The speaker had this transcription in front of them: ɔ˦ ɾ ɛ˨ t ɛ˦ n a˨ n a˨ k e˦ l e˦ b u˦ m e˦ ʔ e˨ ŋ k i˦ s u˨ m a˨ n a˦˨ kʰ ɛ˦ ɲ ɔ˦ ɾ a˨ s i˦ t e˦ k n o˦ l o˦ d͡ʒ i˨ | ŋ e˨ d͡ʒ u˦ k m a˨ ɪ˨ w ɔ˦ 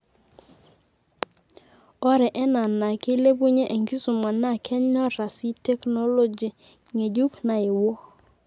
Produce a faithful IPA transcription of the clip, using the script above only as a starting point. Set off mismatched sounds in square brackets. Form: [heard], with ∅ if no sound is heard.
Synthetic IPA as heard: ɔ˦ ɾ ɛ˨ [ʔ] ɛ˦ n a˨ n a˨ k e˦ l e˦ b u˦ [ɲ] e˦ ʔ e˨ ŋ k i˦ s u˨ m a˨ n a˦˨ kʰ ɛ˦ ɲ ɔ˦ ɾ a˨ s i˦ t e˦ k n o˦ l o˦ d͡ʒ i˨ | ŋ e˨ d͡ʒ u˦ k [n] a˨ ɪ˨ w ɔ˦